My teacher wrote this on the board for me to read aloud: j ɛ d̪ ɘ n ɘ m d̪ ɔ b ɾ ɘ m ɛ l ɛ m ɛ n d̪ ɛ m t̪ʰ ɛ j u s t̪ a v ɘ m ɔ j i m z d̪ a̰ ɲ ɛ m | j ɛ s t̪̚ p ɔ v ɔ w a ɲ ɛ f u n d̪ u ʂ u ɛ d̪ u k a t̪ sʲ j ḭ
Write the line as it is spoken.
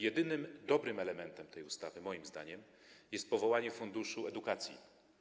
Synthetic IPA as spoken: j ɛ d̪ ɘ n ɘ m d̪ ɔ b ɾ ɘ m ɛ l ɛ m ɛ n t̪ ɛ m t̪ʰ ɛ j u s t̪ a v ɘ m ɔ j i m z d̪ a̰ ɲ ɛ m | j ɛ s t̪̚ p ɔ v ɔ w a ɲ ɛ f u n d̪ u ʂ u ɛ d̪ u k a t̪ sʲ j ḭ